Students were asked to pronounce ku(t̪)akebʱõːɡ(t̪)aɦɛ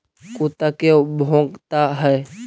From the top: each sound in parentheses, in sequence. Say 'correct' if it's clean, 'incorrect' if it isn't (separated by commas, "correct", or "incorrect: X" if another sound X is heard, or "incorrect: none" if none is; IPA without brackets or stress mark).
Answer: correct, correct